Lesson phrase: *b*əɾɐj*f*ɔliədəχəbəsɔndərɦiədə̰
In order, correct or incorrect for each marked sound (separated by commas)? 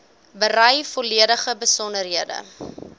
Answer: correct, correct